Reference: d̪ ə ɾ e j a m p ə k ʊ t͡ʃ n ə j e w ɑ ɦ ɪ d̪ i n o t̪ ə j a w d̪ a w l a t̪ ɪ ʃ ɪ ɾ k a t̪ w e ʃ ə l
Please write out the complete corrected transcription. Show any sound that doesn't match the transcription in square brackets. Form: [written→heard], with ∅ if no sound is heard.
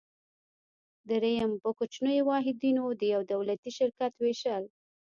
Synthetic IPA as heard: d̪ ə ɾ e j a m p ə k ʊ t͡ʃ n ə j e w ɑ ɦ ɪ d̪ i n o [t̪→d̪] ə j a w d̪ a w l a t̪ [ɪ→i] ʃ ɪ ɾ k a t̪ w e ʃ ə l